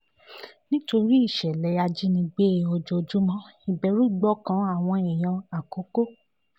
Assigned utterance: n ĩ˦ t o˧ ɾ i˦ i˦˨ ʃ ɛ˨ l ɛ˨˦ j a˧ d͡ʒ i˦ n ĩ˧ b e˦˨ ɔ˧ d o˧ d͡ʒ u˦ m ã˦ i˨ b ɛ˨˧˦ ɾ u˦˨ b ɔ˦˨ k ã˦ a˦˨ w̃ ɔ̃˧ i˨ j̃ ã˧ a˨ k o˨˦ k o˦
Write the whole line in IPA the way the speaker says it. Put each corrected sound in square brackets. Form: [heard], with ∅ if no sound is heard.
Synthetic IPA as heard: n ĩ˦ t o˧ ɾ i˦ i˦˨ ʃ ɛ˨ l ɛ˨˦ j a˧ d͡ʒ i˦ n ĩ˧ [ɡ͡b] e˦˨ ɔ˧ [d͡ʒ] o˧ d͡ʒ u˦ m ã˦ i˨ b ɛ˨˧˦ ɾ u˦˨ [ɡ͡b] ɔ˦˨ k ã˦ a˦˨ w̃ ɔ̃˧ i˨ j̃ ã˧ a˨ k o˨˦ k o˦